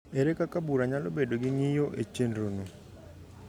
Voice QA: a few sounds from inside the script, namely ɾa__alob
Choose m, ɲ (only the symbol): ɲ